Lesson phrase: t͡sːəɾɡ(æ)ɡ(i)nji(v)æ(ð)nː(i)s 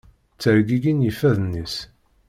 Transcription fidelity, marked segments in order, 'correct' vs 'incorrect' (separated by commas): incorrect, correct, incorrect, correct, correct